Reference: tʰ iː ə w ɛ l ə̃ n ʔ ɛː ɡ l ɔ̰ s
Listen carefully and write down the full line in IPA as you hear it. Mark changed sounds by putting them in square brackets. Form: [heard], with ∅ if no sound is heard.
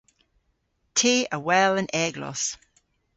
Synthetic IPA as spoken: tʰ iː ə w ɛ l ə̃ n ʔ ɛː ɡ l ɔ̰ s